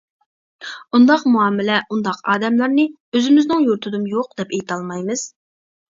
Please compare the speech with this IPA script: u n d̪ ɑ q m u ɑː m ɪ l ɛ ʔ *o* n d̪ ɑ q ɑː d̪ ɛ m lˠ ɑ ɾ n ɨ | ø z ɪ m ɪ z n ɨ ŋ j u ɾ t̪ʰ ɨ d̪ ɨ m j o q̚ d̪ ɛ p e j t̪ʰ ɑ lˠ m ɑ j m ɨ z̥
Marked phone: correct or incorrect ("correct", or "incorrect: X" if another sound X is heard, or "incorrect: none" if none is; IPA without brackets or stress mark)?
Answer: incorrect: u